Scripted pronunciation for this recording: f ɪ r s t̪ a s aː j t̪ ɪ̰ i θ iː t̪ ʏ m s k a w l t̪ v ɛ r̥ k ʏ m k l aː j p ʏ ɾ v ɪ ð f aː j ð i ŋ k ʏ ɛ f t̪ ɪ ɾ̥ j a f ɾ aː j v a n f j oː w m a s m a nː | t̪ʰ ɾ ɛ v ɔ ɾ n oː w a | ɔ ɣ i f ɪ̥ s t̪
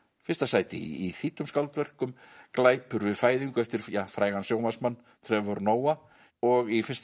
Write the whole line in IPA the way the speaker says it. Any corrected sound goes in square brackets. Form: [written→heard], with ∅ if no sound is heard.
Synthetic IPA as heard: f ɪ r s t̪ a s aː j t̪ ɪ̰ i θ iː t̪ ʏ m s k a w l t̪ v ɛ r̥ k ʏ m k l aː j p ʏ ɾ v ɪ ð f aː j ð i ŋ k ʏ ɛ f t̪ ɪ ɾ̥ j a f ɾ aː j [v→ɣ] a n [f→s] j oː w m a s m a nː | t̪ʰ ɾ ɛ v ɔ ɾ n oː w a | ɔ ɣ i f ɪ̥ s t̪